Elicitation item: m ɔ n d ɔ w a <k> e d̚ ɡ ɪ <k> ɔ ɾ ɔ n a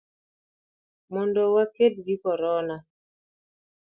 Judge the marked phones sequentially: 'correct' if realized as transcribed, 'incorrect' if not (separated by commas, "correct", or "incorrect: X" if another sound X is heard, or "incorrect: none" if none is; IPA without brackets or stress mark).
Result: correct, correct